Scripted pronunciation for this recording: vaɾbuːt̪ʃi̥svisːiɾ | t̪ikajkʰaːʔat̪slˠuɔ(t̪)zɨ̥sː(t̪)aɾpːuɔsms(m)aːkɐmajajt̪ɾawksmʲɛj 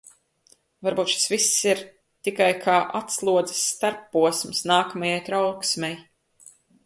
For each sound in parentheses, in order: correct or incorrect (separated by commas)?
incorrect, correct, incorrect